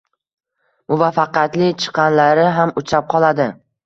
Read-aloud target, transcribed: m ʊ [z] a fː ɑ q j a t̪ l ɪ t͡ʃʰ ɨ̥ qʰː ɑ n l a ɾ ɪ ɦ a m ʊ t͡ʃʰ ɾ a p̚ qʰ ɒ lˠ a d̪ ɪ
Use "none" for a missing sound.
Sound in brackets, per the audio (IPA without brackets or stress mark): v